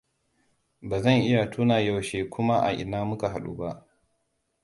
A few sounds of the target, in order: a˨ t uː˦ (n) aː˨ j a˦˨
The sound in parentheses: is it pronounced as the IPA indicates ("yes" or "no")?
yes